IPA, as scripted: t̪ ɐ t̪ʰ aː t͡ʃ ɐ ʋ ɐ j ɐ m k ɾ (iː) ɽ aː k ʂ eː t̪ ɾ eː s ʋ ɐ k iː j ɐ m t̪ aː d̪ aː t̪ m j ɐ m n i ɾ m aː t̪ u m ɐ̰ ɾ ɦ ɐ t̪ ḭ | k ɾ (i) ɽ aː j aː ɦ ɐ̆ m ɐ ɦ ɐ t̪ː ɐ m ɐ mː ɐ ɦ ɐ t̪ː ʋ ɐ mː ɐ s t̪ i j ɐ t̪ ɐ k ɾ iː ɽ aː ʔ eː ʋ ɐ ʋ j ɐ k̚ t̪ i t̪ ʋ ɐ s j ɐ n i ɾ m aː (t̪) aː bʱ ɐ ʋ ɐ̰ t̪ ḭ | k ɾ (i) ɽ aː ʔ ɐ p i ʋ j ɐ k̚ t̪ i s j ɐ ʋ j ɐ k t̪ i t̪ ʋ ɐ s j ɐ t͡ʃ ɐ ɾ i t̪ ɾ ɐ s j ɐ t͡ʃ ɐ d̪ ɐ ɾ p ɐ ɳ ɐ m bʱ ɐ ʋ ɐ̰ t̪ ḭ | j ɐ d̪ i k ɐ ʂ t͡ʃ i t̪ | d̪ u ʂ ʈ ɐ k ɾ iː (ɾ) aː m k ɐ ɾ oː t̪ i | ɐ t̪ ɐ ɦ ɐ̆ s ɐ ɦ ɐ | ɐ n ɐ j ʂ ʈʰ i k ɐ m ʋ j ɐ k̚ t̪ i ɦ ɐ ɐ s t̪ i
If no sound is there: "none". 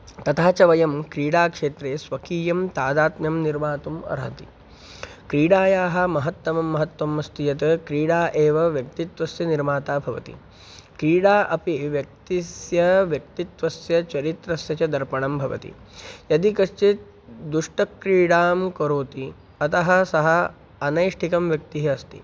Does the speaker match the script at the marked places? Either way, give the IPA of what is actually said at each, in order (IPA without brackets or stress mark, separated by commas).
iː, iː, t̪, iː, ɽ